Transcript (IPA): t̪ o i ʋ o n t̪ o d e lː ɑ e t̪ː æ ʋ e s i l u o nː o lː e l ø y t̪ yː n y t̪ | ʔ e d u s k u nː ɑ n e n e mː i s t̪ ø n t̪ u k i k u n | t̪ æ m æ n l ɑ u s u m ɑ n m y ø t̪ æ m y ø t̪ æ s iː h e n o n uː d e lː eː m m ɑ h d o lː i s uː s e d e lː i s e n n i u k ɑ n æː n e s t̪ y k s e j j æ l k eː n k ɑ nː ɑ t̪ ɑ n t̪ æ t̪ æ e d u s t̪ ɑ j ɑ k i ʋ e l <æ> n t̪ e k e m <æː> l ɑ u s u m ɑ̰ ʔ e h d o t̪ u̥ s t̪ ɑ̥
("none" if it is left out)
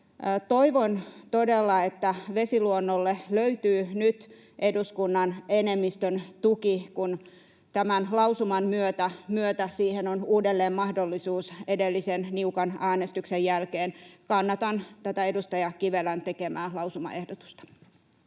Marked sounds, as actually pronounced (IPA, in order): æ, æː

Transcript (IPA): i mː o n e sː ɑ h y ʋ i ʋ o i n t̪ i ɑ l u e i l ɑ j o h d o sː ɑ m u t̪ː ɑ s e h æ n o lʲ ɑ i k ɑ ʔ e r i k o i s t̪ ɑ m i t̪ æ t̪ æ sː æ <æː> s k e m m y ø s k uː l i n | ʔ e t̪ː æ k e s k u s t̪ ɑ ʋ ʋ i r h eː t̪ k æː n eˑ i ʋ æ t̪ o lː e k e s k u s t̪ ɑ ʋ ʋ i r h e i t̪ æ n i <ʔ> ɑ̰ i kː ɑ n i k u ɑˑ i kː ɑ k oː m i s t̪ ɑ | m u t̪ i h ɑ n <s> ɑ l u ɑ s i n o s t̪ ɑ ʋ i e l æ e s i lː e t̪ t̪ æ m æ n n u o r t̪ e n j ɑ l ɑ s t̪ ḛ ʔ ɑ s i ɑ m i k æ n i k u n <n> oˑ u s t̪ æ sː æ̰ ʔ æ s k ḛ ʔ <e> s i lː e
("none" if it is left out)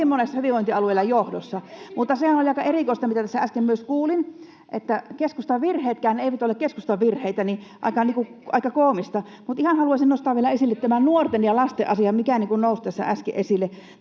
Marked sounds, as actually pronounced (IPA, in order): æ, ʔ, h, n, e

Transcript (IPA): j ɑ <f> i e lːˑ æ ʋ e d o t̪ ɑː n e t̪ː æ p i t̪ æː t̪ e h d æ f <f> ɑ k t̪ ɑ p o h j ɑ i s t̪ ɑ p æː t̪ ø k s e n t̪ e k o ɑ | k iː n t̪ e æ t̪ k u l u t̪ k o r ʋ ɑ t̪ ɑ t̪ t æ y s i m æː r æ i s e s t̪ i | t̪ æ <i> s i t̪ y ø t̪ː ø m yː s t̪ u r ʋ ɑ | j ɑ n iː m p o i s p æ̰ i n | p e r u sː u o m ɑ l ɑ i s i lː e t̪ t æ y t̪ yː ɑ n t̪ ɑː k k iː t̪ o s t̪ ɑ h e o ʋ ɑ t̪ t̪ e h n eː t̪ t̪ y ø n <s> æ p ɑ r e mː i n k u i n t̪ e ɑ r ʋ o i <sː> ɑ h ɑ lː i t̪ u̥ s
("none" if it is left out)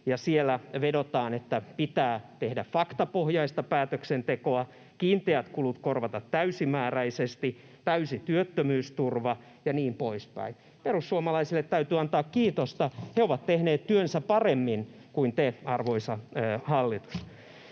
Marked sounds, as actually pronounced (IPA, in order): s, f, y, s, s

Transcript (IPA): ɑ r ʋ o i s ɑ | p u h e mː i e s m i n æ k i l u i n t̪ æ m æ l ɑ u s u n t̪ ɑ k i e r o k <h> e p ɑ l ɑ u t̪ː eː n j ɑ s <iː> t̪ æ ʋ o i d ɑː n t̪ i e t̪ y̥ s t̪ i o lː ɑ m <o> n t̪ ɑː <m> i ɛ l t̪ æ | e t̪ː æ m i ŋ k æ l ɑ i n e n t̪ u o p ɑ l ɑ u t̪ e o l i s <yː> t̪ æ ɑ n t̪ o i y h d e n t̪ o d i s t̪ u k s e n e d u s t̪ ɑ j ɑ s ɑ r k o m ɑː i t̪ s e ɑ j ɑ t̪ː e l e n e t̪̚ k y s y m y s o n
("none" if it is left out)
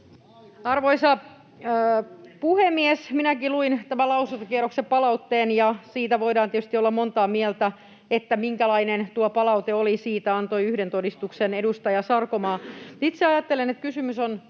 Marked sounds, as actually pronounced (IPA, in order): s, iː, o, m, iː

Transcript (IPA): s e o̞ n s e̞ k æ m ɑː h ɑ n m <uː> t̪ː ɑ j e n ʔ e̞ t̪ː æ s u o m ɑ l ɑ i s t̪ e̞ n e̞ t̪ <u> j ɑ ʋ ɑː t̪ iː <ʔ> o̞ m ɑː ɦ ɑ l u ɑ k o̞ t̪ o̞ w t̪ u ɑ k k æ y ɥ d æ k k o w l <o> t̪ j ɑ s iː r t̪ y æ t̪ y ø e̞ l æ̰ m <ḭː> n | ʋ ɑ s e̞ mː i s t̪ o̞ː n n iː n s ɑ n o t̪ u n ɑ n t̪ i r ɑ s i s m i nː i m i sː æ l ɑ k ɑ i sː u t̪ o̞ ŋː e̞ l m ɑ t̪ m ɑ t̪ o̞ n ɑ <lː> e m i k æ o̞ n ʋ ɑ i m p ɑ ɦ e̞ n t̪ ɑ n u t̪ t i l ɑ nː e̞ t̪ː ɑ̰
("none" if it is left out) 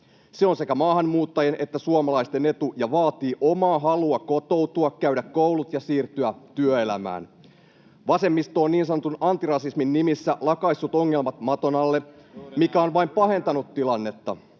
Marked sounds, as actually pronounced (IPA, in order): uː, u, ʔ, u, æ̰ː, lː

